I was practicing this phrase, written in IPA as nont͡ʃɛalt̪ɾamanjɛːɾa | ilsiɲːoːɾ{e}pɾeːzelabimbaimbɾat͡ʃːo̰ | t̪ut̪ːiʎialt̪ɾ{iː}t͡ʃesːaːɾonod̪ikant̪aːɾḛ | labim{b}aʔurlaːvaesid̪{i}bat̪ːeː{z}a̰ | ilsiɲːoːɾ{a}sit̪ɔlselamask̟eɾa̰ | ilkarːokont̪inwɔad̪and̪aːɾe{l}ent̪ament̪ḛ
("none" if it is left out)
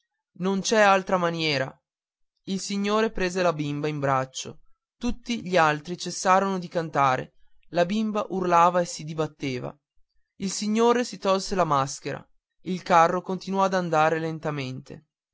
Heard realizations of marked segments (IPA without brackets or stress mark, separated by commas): e, i, b, i, v, e, l